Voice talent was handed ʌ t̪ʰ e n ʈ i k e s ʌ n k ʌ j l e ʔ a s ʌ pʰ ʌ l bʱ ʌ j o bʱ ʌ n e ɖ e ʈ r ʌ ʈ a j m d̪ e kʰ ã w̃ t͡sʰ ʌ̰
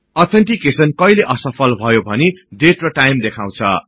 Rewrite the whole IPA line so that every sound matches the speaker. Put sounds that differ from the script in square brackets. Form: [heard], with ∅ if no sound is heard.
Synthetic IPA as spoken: ʌ t̪ʰ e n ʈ i k e s ʌ n k ʌ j l e ʔ [ʌ] s ʌ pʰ ʌ l bʱ ʌ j o bʱ ʌ n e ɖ e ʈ r ʌ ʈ a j m d̪ e kʰ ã w̃ t͡sʰ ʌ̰